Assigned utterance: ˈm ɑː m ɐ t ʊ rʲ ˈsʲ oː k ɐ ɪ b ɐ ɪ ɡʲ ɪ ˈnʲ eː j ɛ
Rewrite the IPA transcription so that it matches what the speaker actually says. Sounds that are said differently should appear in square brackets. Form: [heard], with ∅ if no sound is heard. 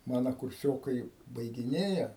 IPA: ˈm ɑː [n] ɐ [k] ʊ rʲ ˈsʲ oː k ɐ ɪ b ɐ ɪ ɡʲ ɪ ˈnʲ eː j ɛ